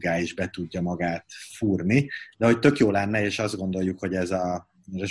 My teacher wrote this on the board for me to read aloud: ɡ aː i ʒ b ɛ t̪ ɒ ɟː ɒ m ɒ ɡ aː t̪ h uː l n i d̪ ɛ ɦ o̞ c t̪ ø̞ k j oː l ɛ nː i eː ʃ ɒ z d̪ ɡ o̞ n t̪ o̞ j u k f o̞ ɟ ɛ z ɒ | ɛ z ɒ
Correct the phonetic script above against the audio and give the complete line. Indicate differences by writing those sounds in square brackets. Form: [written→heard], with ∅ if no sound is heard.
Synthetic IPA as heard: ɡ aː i ʒ b ɛ t̪ [ɒ→u] ɟː ɒ m ɒ ɡ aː t̪ [h→f] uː [l→r] n i d̪ ɛ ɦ o̞ c t̪ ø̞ k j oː l ɛ nː [i→ɛ] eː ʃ ɒ z d̪ ɡ o̞ n [t̪→d̪] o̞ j u k [f→h] o̞ ɟ ɛ z ɒ | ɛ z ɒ